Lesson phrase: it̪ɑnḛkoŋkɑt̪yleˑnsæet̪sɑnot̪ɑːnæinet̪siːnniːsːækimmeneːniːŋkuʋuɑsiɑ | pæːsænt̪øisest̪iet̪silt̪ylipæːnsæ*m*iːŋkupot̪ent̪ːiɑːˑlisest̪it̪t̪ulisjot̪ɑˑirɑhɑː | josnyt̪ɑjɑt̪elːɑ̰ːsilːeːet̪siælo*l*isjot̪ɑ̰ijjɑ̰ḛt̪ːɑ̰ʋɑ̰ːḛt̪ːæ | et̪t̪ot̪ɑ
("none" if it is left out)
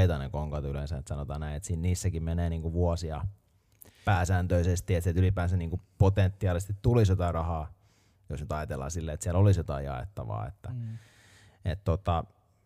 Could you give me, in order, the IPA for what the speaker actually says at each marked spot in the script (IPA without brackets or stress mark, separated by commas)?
n, l